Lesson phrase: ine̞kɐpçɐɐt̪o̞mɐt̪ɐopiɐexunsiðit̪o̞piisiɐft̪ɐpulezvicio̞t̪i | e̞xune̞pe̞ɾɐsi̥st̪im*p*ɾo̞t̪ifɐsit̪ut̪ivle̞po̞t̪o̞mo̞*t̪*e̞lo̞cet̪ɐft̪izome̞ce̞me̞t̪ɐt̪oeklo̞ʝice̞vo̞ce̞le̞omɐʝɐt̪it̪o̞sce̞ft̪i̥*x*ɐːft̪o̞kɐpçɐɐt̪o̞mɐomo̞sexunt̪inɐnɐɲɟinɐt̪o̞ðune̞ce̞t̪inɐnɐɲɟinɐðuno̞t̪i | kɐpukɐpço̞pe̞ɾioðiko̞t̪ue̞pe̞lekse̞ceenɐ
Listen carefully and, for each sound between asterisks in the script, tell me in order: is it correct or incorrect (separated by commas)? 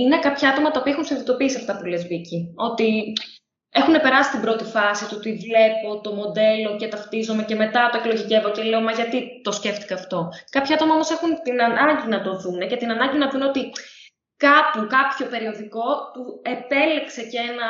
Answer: incorrect, incorrect, incorrect